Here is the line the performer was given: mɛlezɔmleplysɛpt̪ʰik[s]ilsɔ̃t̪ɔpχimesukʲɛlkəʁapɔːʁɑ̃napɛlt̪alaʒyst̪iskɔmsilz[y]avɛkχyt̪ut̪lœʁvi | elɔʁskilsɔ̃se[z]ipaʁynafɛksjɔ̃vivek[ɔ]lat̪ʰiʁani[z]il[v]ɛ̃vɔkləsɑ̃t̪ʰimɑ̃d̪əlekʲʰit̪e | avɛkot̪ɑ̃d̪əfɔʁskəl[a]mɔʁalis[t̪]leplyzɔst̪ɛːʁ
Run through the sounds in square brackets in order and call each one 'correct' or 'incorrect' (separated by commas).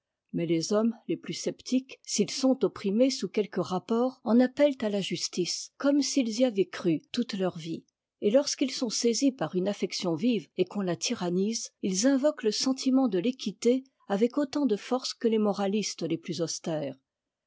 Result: correct, incorrect, correct, incorrect, correct, incorrect, incorrect, correct